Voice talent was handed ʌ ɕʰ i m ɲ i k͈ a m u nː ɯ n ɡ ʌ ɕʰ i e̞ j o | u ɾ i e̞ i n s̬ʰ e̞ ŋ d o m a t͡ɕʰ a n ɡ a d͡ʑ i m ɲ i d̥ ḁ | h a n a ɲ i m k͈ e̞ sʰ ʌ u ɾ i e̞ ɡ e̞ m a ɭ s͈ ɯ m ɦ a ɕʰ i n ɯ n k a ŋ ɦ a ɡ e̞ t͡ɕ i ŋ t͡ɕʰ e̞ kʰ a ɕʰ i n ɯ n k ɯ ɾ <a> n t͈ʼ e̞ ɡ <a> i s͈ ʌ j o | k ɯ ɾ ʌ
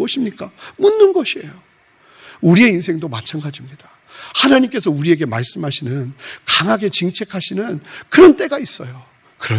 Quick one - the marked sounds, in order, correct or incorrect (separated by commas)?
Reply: incorrect, correct